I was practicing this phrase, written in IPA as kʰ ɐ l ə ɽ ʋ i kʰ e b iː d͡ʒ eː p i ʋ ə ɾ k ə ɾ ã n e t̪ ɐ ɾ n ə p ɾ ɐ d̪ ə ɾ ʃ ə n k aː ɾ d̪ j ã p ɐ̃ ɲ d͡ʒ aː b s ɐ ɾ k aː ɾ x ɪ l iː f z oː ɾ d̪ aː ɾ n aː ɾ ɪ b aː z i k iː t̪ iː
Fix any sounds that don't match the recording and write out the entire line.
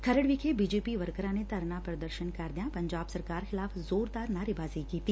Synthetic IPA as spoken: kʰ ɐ ɾ ə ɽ ʋ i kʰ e b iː d͡ʒ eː p i ʋ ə ɾ k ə ɾ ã n e t̪ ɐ ɾ n a p ɾ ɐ d̪ ə ɾ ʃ ə n k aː ɾ d̪ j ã p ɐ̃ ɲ d͡ʒ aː b s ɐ ɾ k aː ɾ x ɪ l aː f z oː ɾ d̪ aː ɾ n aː ɾ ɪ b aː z i k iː t̪ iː

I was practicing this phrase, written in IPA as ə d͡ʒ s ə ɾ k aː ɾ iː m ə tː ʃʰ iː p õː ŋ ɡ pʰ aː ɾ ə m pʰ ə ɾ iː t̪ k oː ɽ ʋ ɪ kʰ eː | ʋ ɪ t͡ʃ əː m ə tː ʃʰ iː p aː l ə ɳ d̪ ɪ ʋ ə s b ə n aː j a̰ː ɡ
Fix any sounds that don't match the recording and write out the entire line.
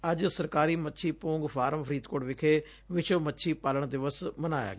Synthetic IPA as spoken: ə d͡ʒ s ə ɾ k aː ɾ iː m ə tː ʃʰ iː p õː ŋ ɡ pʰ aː ɾ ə m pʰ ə ɾ iː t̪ k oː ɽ ʋ ɪ kʰ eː | ʋ ɪ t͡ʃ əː m ə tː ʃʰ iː p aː l ə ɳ d̪ ɪ ʋ ə s m ə n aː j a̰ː ɡ

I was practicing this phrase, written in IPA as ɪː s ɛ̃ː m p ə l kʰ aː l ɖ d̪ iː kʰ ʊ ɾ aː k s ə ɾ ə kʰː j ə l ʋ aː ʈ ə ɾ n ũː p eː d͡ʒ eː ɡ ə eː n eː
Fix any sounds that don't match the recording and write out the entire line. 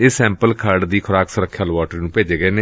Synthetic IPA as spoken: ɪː s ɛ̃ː m p ə l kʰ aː ɾ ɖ d̪ iː kʰ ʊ ɾ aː k s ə ɾ ə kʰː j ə l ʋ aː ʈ ə ɾ n ũː p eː d͡ʒ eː ɡ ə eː n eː

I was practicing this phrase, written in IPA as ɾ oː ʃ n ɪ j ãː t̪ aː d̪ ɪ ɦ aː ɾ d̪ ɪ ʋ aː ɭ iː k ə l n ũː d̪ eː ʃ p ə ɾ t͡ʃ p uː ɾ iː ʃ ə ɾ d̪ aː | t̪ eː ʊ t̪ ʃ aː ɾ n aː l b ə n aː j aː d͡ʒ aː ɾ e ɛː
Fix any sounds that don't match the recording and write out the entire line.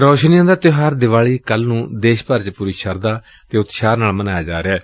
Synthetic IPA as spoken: ɾ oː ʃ n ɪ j ãː d̪ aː t̪ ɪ ɦ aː ɾ d̪ ɪ ʋ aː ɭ iː k ə l n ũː d̪ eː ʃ p ə ɾ t͡ʃ p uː ɾ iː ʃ ə ɾ d̪ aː | t̪ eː ʊ t̪ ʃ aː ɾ n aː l m ə n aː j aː d͡ʒ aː ɾ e ɛː

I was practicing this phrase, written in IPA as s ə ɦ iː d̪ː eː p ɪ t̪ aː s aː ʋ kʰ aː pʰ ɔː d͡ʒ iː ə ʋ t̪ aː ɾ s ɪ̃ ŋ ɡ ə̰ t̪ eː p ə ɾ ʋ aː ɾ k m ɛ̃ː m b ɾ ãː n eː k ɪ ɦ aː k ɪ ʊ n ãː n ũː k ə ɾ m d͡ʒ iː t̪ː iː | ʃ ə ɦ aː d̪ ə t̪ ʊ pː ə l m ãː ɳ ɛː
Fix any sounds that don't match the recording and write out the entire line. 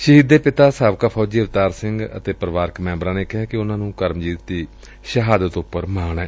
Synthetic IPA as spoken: ʃ ə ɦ iː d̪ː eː p ɪ t̪ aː s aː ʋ k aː pʰ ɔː d͡ʒ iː ə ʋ t̪ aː ɾ s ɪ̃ ŋ ɡ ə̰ t̪ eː p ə ɾ ʋ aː ɾ k m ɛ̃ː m b ɾ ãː n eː k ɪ ɦ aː k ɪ ʊ n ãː n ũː k ə ɾ m d͡ʒ iː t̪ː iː | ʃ ə ɦ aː d̪ ə t̪ ʊ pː ə ɾ m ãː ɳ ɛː

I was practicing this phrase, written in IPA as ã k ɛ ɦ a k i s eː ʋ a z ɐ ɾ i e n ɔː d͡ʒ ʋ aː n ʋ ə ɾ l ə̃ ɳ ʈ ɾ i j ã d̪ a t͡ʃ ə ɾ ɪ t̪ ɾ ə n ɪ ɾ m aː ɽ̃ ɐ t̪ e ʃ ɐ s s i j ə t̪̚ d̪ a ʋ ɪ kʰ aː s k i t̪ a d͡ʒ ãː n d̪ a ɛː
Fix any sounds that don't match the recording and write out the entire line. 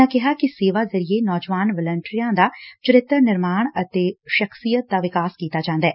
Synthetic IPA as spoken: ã k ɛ ɦ a k i s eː ʋ a z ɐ ɾ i e n ɔː d͡ʒ ʋ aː n ʋ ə l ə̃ ɳ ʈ ɾ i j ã d̪ a t͡ʃ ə ɾ ɪ t̪ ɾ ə n ɪ ɾ m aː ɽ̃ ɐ t̪ e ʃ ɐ x s i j ə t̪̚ d̪ a ʋ ɪ k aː s k iː t̪ a d͡ʒ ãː n d̪ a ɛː

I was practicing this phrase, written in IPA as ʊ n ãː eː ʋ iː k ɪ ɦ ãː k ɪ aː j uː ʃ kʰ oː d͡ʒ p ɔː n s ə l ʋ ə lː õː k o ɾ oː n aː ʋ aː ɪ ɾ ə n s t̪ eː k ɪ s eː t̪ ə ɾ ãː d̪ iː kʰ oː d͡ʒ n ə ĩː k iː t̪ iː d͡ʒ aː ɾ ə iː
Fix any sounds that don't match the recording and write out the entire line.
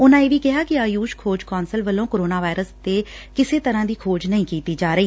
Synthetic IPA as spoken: ʊ n ãː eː ʋ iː k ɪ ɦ aː k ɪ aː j uː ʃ kʰ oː d͡ʒ k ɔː n s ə l ʋ ə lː õː k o ɾ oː n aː ʋ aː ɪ ɾ ə s t̪ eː k ɪ s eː t̪ ə ɾ ãː d̪ iː kʰ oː d͡ʒ n ə ĩː k iː t̪ iː d͡ʒ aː ɾ ə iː

